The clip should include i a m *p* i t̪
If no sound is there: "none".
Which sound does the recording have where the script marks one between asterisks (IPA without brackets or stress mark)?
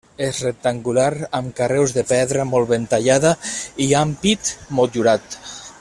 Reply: p